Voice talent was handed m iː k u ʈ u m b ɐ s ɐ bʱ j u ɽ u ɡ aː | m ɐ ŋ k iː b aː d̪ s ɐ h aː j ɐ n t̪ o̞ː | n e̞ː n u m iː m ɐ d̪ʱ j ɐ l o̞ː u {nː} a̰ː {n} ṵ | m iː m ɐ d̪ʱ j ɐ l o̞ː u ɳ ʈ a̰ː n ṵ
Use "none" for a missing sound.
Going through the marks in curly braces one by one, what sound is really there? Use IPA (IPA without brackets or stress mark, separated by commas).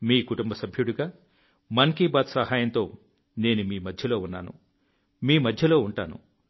nː, n